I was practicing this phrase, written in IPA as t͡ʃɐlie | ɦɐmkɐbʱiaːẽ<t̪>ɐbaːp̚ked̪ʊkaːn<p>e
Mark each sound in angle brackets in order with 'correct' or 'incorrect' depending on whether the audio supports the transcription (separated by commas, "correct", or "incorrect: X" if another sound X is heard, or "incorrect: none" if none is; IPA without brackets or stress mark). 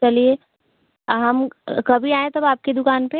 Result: correct, correct